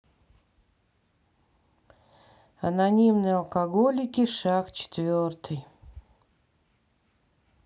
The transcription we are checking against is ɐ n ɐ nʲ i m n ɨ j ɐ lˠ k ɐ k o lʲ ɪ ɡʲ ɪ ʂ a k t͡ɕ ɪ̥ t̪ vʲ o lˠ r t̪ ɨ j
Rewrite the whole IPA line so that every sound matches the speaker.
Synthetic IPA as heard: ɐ n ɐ nʲ i m n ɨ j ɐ lˠ k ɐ ɡ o lʲ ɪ kʲ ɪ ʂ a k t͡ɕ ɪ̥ t̪ vʲ o r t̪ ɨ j